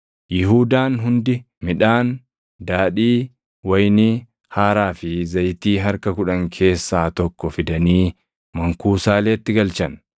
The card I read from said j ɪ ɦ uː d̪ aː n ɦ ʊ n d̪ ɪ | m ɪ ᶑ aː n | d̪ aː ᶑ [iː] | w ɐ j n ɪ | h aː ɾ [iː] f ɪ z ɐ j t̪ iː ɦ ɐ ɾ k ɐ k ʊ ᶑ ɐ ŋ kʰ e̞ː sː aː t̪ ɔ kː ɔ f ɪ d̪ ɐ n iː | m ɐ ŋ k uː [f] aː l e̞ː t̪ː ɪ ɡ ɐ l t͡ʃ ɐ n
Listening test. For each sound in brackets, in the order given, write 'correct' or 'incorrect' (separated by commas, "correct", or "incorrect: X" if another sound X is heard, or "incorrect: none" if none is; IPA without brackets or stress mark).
correct, incorrect: aː, incorrect: s